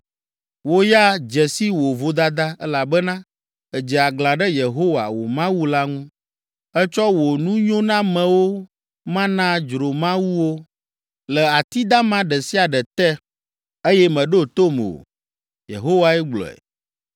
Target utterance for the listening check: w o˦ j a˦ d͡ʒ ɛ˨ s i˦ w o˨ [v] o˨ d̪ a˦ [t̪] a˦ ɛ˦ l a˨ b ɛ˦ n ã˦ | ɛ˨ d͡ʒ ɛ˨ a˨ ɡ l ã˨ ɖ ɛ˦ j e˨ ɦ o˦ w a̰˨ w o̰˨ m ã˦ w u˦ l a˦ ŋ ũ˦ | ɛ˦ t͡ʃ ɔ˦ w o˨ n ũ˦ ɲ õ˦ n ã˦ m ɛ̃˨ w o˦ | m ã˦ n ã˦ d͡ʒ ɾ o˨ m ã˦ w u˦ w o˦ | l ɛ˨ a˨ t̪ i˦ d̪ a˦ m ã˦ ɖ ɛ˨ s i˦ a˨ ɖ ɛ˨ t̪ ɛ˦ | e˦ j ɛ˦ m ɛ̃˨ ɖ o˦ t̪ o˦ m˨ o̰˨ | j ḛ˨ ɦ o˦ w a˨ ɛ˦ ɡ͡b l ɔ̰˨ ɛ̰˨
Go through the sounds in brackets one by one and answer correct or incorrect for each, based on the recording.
correct, incorrect

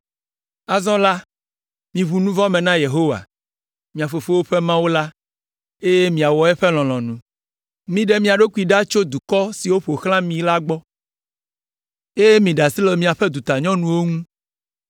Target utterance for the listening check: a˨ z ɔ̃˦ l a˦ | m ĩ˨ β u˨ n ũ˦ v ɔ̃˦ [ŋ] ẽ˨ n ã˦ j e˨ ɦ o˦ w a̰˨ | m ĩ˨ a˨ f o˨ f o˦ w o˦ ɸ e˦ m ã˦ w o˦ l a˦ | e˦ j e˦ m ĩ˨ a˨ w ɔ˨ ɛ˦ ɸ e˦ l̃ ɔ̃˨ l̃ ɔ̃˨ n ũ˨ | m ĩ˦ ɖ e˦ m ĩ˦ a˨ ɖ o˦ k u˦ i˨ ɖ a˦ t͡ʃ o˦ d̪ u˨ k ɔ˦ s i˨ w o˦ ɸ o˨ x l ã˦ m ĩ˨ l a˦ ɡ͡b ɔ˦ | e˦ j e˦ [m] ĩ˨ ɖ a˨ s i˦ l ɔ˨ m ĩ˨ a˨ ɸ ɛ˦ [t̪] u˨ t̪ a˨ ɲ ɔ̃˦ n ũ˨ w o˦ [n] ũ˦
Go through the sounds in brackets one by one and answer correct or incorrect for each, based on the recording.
incorrect, correct, incorrect, incorrect

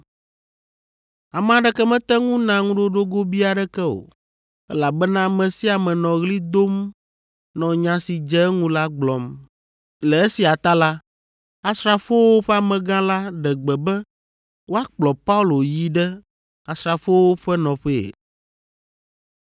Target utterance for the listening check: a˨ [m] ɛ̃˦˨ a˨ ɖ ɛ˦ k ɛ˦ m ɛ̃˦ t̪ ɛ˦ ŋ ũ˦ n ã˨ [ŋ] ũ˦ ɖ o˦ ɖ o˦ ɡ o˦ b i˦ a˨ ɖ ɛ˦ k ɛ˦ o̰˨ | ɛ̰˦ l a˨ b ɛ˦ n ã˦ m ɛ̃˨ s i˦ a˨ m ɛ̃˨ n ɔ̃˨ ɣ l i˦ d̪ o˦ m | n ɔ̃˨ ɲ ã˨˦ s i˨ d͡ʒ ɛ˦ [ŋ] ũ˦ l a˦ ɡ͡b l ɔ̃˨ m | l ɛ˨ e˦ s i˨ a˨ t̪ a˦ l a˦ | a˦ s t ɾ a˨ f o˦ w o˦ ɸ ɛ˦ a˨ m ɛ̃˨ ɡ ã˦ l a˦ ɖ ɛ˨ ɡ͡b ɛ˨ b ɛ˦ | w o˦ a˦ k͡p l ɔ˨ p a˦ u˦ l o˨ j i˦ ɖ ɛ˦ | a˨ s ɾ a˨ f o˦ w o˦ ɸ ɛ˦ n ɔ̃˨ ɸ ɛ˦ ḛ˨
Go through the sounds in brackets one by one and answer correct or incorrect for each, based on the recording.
correct, correct, correct

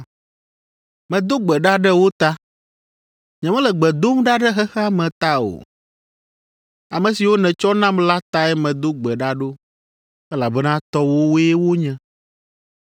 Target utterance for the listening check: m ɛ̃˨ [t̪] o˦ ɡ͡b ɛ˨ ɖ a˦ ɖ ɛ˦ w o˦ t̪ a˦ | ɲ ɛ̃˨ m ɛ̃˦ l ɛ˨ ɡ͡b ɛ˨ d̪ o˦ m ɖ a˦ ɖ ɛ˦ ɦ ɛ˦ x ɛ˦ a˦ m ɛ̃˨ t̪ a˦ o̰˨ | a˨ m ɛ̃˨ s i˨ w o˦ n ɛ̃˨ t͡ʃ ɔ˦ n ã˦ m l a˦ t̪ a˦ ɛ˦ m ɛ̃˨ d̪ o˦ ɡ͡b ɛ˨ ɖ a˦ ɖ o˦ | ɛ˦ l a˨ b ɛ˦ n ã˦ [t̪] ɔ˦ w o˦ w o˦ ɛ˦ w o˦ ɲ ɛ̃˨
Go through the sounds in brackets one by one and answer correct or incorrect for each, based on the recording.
incorrect, correct

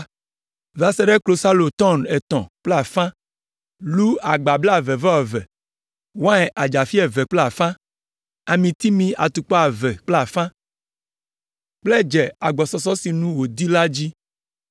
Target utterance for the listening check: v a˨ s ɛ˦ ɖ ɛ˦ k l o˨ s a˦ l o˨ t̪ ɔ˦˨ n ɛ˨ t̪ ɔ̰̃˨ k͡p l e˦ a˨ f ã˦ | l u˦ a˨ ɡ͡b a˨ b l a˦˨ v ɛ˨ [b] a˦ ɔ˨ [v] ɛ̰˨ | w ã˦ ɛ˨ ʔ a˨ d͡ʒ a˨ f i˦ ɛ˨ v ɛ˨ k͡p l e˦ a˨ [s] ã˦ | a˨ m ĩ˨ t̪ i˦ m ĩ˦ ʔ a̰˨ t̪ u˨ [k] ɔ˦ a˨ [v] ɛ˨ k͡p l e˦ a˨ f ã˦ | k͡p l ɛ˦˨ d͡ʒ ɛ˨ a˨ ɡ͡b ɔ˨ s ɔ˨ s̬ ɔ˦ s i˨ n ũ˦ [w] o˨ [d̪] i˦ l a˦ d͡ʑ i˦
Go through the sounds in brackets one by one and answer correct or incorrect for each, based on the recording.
incorrect, correct, incorrect, incorrect, correct, correct, correct

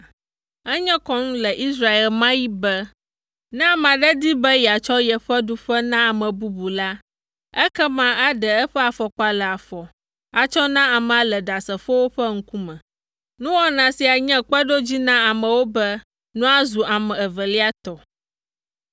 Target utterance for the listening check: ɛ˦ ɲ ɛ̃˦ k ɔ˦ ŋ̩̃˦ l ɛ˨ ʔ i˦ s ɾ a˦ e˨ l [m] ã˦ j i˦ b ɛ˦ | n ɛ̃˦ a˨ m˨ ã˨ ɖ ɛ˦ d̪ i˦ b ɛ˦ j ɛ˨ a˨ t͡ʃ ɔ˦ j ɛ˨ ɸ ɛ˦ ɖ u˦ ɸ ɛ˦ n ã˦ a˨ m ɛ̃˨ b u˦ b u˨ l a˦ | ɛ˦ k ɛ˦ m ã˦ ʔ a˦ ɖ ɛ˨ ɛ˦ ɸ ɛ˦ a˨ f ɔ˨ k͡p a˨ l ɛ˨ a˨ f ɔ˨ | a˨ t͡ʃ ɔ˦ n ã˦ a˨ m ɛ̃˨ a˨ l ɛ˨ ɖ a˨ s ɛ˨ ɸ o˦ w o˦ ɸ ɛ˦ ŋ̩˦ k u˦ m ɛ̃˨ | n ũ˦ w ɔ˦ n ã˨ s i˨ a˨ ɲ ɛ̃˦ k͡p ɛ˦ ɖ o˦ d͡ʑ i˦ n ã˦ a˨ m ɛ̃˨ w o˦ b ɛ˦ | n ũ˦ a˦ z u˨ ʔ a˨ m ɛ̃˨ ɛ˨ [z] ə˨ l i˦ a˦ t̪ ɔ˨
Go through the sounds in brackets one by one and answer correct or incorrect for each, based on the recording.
correct, incorrect

